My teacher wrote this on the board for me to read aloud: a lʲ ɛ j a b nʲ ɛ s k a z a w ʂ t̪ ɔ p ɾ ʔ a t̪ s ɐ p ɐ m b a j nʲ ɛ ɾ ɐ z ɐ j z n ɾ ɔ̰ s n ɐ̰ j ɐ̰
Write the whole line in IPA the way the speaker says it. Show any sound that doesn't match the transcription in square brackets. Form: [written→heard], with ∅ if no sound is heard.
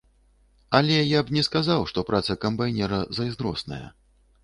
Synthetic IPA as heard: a lʲ ɛ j a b nʲ ɛ s k a z a w ʂ t̪ ɔ p ɾ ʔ a t̪ s ɐ [p→k] ɐ m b a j nʲ ɛ ɾ ɐ z ɐ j z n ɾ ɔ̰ s n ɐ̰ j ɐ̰